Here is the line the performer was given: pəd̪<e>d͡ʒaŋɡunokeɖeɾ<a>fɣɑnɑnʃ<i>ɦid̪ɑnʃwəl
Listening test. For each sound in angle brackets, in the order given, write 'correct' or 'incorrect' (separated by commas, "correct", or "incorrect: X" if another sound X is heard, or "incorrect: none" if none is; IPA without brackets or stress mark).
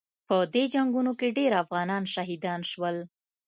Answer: correct, correct, incorrect: a